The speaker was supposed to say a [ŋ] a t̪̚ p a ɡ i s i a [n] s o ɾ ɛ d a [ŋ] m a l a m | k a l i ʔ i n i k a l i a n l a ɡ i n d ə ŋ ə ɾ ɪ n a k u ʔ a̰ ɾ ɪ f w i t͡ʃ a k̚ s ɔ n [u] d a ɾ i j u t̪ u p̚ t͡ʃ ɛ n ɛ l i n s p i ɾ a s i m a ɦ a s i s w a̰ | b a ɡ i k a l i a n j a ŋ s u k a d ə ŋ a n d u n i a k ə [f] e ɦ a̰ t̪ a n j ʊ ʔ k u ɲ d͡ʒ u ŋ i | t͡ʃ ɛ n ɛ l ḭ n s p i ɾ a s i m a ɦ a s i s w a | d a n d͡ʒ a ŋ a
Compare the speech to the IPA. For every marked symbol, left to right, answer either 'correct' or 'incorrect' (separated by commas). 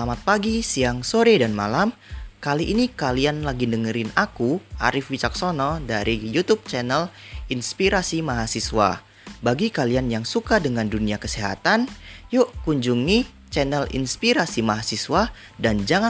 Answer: incorrect, incorrect, incorrect, incorrect, incorrect